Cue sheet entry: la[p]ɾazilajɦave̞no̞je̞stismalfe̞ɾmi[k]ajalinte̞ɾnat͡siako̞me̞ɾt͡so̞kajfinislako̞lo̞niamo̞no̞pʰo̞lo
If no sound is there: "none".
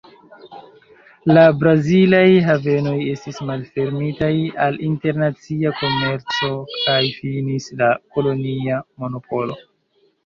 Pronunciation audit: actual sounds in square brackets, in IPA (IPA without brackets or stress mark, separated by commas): b, t